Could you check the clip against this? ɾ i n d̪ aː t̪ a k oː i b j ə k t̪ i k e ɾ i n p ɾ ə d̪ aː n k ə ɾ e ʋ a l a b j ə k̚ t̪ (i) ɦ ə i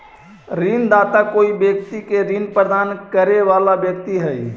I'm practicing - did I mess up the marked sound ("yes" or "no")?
no